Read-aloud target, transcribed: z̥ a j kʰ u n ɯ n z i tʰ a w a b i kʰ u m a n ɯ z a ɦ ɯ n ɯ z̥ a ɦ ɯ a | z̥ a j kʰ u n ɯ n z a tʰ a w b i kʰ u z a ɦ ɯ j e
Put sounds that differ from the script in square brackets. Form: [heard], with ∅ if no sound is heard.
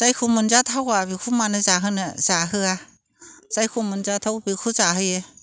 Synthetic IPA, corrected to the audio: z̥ a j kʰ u [m] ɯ n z [a] tʰ a w a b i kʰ u m a n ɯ z a ɦ ɯ n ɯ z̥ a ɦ ɯ a | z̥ a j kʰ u [m] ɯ n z a tʰ a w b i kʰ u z a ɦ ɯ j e